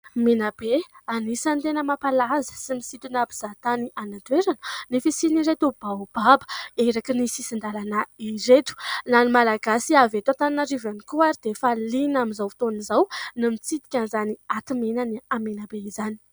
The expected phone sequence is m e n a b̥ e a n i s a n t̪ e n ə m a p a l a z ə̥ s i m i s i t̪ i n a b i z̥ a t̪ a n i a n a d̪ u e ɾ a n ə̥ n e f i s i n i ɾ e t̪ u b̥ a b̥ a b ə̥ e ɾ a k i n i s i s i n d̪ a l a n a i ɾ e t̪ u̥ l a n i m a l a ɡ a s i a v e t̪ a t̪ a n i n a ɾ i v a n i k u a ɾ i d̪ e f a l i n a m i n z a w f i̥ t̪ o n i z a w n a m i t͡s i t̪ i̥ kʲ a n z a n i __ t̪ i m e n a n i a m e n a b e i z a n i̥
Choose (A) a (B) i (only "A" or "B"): A